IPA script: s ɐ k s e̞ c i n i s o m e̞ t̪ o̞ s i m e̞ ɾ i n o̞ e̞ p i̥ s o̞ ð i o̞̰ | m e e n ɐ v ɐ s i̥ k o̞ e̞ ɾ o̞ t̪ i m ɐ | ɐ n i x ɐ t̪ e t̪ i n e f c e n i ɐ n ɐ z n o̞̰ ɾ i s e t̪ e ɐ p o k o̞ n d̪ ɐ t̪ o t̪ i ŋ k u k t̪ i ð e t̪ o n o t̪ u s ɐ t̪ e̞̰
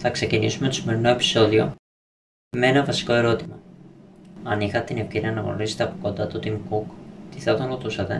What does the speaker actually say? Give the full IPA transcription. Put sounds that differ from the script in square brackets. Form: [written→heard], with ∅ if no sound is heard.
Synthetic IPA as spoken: [s→θ] ɐ k s e̞ c i n i s [o→u] m e̞ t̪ o̞ s i m e̞ ɾ i n o̞ e̞ p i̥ s o̞ ð i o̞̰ | m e e n ɐ v ɐ s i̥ k o̞ e̞ ɾ o̞ t̪ i m ɐ | ɐ n i x ɐ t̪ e t̪ i n e f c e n i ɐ n ɐ [z→ɣ] n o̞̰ ɾ i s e t̪ e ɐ p o k o̞ n d̪ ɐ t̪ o t̪ i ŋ k u k t̪ i [ð→θ] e t̪ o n o t̪ u s ɐ t̪ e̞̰